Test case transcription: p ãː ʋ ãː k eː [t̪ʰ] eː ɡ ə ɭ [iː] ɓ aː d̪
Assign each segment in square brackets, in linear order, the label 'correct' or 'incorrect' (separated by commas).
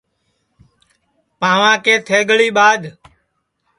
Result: correct, correct